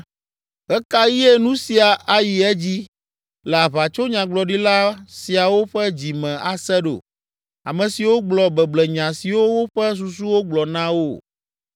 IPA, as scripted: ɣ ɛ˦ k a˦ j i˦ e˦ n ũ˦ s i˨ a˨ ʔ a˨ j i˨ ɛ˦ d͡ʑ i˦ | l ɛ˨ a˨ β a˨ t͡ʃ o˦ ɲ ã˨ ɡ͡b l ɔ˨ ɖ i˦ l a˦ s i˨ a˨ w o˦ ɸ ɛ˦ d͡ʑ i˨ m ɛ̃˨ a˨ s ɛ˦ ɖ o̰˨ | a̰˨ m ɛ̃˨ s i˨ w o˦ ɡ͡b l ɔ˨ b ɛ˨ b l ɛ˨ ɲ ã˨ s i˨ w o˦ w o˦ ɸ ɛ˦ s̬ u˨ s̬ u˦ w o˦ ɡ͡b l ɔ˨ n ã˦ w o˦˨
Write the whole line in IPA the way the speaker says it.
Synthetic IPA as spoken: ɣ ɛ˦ k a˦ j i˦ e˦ n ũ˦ s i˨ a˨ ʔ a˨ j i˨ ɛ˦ d͡ʑ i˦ | l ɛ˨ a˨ β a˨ t͡ʃ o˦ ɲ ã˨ ɡ͡b l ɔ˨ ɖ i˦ l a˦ s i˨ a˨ w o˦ ɸ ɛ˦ d͡ʑ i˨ m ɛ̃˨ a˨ s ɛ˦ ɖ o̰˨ | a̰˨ m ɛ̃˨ s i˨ w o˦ ɡ͡b l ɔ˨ b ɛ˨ b l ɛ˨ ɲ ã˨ s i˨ w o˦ w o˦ ɸ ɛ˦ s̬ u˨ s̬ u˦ w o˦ ɡ͡b l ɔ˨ n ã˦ w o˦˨